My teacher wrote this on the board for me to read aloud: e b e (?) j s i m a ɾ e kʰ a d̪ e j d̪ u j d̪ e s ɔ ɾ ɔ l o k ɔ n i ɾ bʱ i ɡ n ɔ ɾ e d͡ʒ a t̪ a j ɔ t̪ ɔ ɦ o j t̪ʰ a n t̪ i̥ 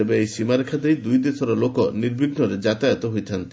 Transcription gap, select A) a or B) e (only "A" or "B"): B